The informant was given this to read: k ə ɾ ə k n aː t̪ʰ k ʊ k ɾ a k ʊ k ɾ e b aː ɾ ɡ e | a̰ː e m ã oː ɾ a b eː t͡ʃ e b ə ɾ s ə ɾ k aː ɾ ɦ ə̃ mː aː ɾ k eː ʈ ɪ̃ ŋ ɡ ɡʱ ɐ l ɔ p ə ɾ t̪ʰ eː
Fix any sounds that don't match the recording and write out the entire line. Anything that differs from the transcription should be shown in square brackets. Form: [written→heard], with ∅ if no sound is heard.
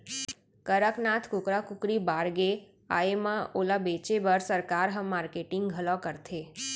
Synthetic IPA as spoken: k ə ɾ ə k n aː t̪ʰ k ʊ k ɾ a k ʊ k ɾ [e→i] b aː ɾ ɡ e | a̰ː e m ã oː [ɾ→l] a b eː t͡ʃ e b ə ɾ s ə ɾ k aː ɾ ɦ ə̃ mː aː ɾ k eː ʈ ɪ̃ ŋ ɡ ɡʱ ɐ l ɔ [p→k] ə ɾ t̪ʰ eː